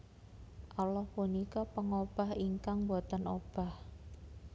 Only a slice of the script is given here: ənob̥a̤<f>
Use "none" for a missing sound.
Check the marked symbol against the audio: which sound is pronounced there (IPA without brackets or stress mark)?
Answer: h